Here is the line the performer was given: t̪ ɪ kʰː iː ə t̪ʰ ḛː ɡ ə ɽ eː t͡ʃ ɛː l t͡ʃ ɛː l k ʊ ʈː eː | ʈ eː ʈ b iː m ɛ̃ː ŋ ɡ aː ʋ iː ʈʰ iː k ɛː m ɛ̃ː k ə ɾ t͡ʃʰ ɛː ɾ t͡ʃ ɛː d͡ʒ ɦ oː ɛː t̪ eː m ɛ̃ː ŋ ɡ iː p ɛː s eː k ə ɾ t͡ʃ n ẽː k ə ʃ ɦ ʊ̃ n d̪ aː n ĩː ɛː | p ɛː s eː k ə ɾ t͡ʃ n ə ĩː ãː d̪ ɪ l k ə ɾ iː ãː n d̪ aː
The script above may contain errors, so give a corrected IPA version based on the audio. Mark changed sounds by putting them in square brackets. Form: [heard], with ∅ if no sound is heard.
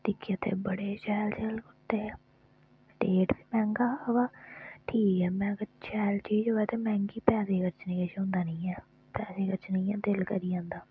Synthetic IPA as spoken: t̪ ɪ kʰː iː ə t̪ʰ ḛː [b] ə ɽ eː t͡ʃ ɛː l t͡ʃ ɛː l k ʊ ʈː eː | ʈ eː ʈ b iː m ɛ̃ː ŋ ɡ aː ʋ [aː] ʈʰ iː k ɛː m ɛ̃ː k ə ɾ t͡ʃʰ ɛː [l] t͡ʃ [iː] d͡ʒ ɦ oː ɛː t̪ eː m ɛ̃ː ŋ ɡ iː p ɛː s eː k ə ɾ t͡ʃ n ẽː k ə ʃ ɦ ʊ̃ n d̪ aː n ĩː ɛː | p ɛː s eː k ə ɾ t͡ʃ n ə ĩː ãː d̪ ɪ l k ə ɾ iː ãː n d̪ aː